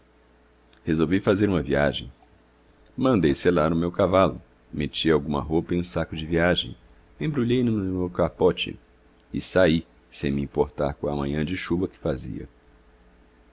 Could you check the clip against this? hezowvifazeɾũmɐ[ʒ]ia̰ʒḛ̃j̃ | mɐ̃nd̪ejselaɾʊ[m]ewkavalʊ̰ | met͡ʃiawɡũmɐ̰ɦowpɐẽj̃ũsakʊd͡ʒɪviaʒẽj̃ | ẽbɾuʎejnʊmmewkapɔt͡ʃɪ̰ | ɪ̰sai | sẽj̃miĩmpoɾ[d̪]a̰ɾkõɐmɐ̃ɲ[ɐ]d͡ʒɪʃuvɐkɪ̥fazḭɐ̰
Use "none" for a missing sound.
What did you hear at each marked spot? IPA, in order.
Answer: v, m, t̪, ɐ̃

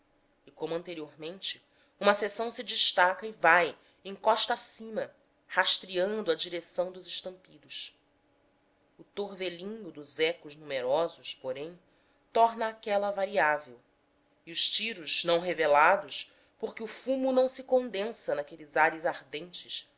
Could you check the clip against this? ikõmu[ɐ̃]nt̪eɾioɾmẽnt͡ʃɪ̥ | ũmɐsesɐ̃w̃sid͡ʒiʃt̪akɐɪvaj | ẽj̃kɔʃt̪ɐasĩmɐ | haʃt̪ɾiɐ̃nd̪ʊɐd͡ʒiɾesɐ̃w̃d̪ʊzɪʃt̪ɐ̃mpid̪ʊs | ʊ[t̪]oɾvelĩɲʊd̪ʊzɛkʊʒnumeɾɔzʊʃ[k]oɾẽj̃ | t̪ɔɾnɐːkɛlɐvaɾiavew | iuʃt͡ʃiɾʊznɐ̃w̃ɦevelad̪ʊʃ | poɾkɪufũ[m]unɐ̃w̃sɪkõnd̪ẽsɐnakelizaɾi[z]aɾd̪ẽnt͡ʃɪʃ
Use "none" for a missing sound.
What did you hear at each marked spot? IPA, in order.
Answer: ɐ̃, t̪, p, m, z

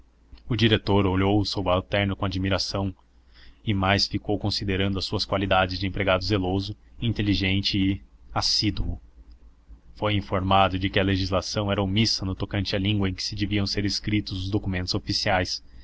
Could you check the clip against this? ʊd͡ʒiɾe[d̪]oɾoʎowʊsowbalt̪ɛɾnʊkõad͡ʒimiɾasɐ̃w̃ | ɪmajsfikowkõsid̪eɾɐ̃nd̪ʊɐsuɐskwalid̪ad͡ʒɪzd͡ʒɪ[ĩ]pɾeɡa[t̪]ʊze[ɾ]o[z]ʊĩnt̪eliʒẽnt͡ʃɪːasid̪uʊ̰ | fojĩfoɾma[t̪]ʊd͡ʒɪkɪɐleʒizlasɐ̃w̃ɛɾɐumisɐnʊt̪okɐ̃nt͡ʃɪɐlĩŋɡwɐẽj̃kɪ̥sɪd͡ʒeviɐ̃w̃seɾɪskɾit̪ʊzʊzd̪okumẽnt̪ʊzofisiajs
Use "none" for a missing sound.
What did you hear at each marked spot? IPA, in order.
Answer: t̪, ẽ, d̪, l, z, d̪

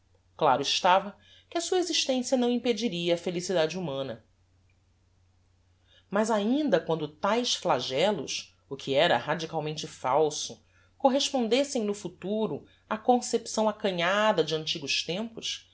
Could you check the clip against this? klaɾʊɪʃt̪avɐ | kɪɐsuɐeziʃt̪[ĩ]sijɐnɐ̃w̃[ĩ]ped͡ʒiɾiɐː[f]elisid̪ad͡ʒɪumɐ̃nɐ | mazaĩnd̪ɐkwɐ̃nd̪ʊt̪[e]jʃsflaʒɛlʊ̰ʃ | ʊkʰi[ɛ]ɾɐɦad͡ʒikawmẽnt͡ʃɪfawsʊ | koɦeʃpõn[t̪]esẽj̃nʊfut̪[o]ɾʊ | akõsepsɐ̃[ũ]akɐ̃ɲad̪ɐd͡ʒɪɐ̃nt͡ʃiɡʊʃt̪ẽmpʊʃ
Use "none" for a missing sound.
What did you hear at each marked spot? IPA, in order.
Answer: ẽ, ĩ, f, a, ɛ, d̪, u, w̃

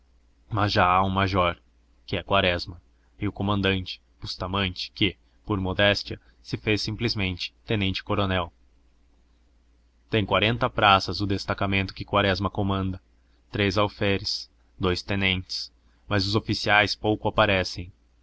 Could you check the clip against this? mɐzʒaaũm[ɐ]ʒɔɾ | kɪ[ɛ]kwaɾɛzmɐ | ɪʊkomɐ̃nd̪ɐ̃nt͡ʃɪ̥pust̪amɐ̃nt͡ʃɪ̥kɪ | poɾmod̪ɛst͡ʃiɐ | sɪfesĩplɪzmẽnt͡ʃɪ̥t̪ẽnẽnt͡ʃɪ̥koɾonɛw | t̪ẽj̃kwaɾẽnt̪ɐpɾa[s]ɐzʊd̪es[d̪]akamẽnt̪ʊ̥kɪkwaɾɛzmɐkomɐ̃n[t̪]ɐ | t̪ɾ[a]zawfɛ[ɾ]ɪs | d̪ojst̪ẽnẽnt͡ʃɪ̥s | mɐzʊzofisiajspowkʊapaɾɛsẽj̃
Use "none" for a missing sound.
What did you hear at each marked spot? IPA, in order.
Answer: a, ɛ, s, t̪, d̪, e, ɾ

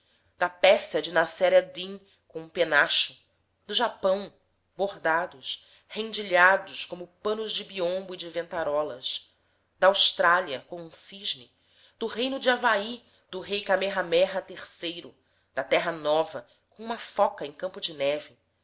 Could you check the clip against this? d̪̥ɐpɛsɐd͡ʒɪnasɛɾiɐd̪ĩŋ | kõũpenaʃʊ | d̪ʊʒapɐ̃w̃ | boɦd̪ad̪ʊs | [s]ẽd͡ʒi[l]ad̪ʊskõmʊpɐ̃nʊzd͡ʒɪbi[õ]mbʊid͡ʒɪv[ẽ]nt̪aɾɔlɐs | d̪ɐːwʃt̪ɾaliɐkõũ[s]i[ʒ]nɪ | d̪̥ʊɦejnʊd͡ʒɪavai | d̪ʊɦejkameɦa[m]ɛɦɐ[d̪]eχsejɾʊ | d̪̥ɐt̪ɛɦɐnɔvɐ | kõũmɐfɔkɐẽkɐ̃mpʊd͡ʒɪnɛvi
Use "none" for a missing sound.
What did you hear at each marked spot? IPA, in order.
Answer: h, ʎ, õ, ẽ, s, ʒ, m, t̪

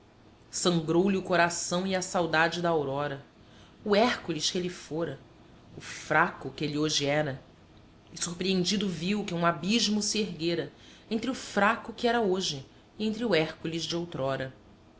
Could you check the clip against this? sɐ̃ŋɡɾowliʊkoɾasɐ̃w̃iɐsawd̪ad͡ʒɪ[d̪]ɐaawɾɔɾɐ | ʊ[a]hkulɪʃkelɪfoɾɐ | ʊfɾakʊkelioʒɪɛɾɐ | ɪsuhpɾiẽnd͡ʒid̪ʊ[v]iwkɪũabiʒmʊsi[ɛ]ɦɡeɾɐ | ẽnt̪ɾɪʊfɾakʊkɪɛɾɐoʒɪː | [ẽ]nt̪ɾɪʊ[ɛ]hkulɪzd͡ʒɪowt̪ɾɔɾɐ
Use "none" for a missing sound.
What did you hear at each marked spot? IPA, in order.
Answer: d̪, ɛ, v, e, ẽ, ɛ

